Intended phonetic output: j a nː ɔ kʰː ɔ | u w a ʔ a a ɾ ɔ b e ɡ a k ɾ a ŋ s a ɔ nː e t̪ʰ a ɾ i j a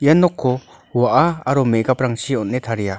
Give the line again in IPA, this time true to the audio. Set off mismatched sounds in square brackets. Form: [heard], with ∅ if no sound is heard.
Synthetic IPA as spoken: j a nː ɔ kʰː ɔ | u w a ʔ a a ɾ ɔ [m] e ɡ a [p] ɾ a ŋ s [i] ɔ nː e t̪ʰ a ɾ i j a